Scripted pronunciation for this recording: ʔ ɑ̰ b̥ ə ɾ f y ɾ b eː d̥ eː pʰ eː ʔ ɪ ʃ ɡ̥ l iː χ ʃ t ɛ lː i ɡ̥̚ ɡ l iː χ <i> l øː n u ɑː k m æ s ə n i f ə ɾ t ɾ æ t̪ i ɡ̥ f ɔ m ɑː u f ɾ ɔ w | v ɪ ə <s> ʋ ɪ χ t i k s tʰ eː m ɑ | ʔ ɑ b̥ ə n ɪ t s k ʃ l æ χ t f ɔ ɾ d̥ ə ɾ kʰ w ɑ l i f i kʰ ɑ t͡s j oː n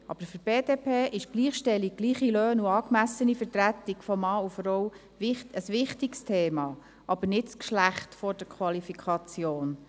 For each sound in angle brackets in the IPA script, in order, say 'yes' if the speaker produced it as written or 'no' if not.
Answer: yes, yes

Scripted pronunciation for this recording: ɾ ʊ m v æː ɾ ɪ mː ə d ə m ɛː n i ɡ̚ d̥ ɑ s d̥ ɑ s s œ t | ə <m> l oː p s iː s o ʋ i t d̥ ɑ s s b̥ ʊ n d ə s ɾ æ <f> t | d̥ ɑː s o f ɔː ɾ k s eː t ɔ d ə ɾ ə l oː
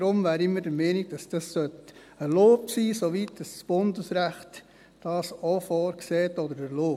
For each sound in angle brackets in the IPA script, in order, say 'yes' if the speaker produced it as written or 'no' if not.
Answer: no, no

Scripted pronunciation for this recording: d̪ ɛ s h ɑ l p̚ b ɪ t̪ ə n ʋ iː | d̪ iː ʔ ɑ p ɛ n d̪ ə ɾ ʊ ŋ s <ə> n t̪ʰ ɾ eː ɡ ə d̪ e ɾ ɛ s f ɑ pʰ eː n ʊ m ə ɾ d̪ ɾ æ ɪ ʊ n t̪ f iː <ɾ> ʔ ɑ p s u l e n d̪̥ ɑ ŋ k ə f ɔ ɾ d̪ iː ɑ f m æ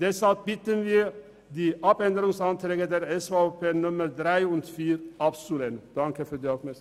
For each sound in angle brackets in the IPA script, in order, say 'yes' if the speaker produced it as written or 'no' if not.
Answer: no, yes

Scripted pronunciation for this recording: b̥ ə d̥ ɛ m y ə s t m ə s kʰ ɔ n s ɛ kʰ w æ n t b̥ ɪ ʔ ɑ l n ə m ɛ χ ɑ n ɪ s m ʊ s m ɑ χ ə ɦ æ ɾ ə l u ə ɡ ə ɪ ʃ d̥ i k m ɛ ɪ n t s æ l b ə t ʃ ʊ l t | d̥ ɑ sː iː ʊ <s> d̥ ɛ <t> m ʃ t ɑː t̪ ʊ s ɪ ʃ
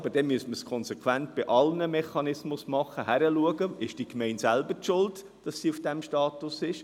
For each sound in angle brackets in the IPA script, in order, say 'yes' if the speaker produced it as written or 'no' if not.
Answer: no, no

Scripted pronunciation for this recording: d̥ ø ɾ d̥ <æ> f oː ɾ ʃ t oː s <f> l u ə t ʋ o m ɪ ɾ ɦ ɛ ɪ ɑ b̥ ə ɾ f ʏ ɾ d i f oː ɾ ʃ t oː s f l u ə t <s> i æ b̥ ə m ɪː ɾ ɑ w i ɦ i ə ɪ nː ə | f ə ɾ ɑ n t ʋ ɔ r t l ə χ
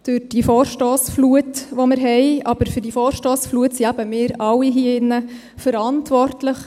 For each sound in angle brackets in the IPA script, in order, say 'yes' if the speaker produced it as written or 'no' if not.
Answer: no, yes, yes

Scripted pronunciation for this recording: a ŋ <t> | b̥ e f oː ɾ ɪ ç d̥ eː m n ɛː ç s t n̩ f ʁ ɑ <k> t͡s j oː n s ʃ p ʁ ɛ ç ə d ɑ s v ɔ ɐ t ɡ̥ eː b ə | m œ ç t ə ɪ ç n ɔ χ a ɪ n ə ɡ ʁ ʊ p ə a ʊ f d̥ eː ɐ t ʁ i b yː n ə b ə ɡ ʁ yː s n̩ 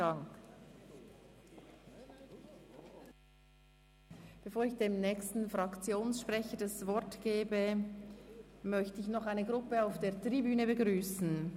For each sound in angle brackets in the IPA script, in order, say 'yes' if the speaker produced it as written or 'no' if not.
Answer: no, yes

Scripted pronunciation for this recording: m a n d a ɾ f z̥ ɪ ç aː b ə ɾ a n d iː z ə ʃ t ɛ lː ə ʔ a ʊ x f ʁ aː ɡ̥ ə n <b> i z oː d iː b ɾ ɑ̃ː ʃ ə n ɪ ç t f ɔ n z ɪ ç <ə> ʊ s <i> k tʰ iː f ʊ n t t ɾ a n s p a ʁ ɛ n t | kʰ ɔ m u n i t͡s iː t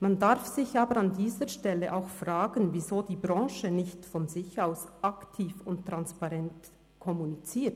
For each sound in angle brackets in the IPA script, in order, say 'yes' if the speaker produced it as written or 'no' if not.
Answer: no, no, no

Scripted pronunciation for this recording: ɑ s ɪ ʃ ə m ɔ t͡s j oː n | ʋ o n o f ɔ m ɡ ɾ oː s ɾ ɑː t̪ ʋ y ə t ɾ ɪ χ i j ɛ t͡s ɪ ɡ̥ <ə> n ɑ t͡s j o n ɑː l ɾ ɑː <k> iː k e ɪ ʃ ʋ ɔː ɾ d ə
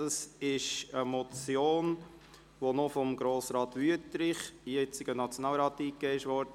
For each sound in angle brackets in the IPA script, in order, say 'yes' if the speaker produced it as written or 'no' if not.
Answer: yes, no

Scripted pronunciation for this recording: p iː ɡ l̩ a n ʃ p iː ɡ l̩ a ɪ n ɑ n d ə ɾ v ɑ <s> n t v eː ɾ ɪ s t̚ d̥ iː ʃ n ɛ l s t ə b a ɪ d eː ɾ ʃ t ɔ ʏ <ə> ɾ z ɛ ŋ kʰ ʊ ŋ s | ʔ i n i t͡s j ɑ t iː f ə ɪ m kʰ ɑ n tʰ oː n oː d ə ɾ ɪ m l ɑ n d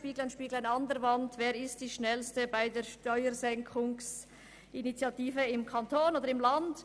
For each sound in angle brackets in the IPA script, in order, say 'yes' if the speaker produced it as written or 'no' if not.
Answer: no, yes

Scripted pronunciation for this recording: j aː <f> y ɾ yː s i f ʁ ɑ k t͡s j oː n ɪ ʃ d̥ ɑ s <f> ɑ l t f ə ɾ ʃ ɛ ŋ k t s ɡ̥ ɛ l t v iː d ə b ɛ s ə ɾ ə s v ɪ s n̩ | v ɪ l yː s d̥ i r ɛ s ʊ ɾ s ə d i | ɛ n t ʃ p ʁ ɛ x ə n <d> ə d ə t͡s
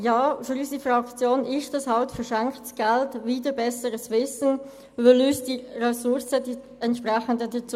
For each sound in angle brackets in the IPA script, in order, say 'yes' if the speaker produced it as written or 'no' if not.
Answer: yes, no, yes

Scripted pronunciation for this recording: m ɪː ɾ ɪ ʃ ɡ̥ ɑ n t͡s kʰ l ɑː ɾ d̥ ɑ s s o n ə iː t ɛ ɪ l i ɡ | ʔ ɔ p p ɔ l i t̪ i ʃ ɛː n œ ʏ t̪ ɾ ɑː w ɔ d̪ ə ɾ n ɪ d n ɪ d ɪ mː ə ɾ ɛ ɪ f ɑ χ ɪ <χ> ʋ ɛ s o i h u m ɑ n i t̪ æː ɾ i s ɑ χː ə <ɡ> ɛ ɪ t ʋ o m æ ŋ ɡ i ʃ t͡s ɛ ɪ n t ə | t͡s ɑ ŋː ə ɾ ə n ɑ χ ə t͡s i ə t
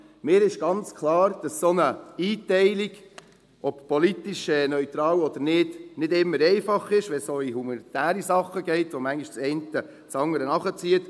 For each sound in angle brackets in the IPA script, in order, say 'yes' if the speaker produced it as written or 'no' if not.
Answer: no, yes

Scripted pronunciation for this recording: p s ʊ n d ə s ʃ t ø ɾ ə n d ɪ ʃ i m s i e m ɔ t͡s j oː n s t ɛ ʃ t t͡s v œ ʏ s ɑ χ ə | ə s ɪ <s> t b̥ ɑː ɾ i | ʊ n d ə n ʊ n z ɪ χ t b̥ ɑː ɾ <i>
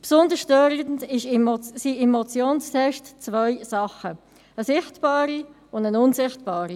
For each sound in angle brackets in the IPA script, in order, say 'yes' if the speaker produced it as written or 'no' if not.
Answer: no, yes

